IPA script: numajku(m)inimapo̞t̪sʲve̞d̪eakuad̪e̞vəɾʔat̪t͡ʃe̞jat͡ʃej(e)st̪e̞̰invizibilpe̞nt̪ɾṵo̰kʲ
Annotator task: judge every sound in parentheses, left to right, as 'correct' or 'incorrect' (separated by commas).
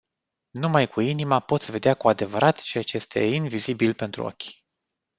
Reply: incorrect, correct